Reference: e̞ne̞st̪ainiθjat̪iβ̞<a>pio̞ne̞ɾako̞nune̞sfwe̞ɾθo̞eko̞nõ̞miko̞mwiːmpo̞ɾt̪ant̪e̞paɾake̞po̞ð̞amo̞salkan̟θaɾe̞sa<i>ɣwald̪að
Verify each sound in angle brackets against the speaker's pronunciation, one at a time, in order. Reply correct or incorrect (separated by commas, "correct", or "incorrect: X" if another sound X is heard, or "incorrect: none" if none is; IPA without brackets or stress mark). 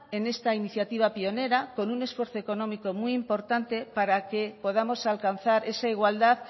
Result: correct, correct